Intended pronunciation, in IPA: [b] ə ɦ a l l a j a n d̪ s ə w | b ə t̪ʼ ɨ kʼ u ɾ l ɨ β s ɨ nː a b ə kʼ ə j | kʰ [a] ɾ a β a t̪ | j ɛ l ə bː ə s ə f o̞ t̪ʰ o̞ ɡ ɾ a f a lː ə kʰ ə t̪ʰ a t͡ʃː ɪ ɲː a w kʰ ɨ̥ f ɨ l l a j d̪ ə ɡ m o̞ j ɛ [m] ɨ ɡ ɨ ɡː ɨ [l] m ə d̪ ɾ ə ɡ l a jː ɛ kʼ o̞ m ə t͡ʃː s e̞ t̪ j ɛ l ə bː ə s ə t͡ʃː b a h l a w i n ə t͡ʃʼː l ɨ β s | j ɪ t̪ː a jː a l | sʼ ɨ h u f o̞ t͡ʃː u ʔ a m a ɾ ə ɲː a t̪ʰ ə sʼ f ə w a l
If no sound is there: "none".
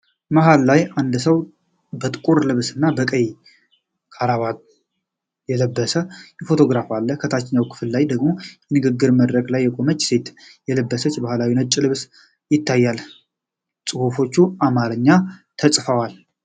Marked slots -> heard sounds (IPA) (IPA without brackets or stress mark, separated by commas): m, a, n, ɾ